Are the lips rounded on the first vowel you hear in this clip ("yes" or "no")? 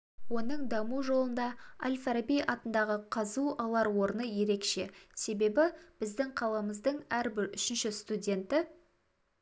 yes